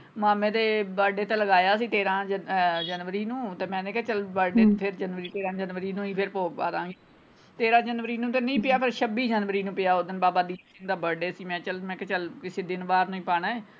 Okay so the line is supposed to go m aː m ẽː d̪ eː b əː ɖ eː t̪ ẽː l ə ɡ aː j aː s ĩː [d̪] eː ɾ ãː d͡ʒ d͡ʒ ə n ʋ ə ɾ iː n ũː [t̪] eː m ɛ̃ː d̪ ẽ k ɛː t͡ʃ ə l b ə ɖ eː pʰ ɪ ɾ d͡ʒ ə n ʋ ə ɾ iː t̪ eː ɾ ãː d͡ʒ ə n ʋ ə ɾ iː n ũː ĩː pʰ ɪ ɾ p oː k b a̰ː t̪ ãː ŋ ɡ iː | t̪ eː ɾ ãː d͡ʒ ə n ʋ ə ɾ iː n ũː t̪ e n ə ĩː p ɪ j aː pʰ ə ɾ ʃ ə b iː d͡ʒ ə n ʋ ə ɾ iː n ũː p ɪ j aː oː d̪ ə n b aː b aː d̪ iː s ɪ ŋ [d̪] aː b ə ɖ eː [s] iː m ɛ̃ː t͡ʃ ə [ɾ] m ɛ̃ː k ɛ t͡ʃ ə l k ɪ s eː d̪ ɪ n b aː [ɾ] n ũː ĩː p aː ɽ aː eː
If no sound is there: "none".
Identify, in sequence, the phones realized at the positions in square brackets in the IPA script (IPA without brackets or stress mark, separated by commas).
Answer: t̪, t̪, d̪, s, l, ɾ